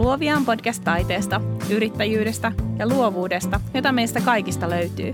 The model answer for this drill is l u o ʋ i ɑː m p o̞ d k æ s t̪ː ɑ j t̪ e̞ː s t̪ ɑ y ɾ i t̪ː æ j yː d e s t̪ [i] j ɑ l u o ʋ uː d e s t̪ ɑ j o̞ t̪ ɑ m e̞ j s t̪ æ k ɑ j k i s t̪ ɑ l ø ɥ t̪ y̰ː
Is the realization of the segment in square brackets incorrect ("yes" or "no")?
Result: yes